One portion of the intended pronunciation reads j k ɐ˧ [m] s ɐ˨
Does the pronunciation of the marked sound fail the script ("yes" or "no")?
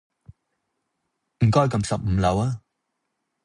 no